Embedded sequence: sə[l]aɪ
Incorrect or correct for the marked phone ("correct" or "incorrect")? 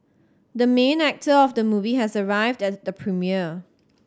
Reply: incorrect